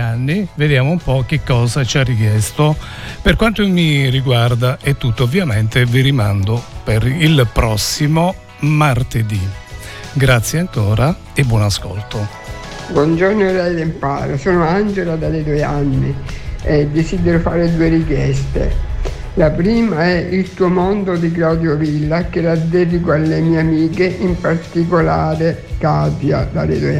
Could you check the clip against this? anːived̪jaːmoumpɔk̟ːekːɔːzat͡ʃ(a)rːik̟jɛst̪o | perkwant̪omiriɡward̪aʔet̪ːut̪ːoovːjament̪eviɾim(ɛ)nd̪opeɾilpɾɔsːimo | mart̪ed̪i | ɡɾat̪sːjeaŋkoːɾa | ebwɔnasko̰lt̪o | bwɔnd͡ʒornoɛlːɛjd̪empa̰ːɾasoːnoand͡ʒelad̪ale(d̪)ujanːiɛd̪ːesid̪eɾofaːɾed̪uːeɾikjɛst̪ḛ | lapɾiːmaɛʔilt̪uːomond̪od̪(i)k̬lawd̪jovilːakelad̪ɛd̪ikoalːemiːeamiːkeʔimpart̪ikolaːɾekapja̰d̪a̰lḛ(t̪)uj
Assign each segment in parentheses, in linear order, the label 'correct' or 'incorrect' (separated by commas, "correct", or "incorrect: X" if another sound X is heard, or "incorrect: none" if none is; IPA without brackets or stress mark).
correct, incorrect: a, correct, correct, incorrect: d̪